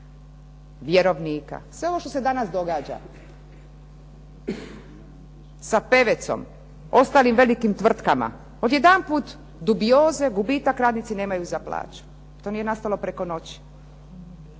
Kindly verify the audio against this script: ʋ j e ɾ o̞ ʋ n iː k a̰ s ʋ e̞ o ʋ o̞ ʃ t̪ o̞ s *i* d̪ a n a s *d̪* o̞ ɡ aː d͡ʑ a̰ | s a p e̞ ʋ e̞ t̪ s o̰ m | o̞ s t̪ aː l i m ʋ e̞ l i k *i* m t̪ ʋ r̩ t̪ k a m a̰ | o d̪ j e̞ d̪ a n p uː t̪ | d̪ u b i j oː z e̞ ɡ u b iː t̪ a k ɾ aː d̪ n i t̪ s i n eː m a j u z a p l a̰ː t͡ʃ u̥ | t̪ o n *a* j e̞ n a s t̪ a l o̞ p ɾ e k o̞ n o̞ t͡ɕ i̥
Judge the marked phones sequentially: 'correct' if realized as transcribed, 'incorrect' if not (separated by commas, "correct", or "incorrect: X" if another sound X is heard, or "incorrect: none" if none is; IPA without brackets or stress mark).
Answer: incorrect: e, correct, correct, incorrect: i